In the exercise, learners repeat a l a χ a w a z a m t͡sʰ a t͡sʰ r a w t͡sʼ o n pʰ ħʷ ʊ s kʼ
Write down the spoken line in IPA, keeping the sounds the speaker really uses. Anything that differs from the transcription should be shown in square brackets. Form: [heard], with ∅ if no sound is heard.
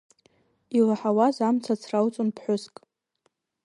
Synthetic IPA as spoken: [i] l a [ħ] a w a z a m t͡sʰ a t͡sʰ r a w t͡sʼ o n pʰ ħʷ ʊ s kʼ